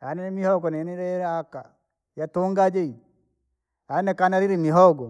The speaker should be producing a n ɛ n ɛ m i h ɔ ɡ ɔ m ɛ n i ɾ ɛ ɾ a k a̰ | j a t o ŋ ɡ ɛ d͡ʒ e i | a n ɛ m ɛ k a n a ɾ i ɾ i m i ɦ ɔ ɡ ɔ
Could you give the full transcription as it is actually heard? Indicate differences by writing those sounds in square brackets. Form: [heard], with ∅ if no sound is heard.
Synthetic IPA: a n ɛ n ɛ m i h ɔ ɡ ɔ [n] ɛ n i ɾ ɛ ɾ a k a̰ | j a t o ŋ ɡ [a] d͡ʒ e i | a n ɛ [n] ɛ k a n a ɾ i ɾ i m i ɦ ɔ ɡ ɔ